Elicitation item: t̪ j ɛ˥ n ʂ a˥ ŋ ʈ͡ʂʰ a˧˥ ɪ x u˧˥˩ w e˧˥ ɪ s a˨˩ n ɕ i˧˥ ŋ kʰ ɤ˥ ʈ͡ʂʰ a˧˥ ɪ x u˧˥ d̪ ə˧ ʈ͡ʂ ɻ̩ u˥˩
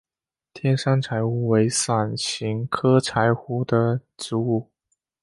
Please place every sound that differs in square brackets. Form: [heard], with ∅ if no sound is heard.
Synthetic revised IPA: [t̪ʰ] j ɛ˥ n ʂ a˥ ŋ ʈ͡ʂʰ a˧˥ ɪ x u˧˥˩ w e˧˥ ɪ s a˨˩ n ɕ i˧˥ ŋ kʰ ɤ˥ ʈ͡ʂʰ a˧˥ ɪ x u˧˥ d̪ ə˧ ʈ͡ʂ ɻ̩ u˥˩